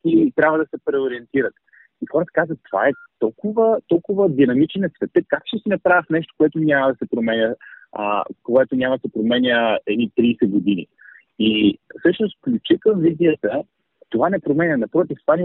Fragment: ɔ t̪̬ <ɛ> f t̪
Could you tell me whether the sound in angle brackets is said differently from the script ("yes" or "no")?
yes